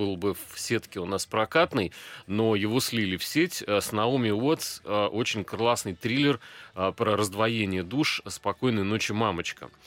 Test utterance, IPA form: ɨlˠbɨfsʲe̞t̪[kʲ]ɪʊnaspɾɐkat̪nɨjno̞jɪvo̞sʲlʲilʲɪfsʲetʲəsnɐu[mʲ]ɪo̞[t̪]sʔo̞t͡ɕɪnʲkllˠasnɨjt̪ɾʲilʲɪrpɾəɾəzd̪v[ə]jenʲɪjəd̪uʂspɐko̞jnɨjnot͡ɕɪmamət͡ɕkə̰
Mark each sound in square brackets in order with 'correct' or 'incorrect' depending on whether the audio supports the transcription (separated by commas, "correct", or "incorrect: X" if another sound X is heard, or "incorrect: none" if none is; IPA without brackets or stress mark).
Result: correct, correct, correct, incorrect: ɐ